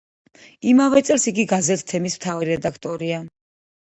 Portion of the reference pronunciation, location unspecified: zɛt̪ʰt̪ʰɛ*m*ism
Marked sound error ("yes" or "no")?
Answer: no